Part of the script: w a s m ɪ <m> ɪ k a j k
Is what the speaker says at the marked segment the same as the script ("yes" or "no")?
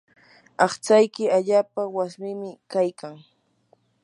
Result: yes